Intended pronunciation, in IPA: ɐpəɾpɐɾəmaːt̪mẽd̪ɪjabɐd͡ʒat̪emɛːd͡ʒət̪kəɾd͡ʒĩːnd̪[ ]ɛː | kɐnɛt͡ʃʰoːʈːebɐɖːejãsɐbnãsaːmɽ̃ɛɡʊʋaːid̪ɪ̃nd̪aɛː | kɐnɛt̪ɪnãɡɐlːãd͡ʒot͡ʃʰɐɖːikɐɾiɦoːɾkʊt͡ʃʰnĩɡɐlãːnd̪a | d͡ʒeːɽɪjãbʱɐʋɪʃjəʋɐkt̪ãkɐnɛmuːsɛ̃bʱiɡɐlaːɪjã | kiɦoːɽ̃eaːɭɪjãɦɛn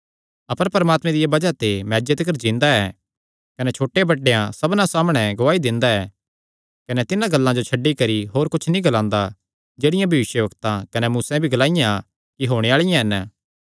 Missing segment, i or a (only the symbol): a